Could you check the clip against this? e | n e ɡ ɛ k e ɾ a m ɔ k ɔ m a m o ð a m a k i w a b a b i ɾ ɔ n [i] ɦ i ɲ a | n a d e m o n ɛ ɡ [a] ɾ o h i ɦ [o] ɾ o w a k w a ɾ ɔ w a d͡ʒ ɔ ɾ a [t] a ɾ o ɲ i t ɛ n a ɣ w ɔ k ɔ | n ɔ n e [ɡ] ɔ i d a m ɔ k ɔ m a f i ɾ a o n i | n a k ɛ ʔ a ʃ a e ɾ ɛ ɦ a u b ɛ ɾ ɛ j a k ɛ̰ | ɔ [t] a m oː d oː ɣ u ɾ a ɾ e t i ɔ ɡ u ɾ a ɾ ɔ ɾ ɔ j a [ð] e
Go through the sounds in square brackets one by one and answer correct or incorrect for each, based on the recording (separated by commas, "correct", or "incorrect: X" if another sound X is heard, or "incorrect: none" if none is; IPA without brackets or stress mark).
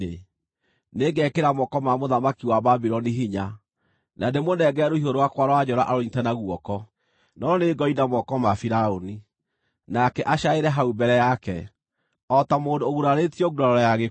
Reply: correct, incorrect: ɛ, correct, incorrect: ʔ, correct, correct, incorrect: ɣ